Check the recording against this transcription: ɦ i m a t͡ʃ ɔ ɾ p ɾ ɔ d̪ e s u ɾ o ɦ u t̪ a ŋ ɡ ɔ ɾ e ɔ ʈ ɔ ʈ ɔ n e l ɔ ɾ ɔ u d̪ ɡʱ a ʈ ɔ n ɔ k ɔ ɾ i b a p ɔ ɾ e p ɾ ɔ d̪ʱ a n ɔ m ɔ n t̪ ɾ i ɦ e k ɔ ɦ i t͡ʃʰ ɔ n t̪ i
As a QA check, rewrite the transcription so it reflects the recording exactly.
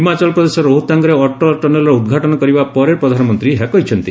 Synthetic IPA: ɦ i m a t͡ʃ ɔ l p ɾ ɔ d̪ e s ɔ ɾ o ɦ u t̪ a ŋ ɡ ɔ ɾ e ɔ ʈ ɔ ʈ ɔ n e l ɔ ɾ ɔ u d̪ ɡʱ a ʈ ɔ n ɔ k ɔ ɾ i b a p ɔ ɾ e p ɾ ɔ d̪ʱ a n ɔ m ɔ n t̪ ɾ i ɦ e k ɔ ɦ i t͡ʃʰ ɔ n t̪ i